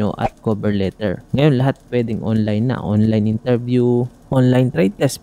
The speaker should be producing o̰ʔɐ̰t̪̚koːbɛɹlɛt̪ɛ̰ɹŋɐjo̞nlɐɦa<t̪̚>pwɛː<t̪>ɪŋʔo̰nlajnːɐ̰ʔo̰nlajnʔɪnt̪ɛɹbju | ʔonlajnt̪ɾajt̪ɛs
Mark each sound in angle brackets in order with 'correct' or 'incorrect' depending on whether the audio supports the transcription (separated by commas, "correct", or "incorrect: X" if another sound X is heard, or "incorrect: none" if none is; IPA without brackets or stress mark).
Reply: correct, incorrect: d̪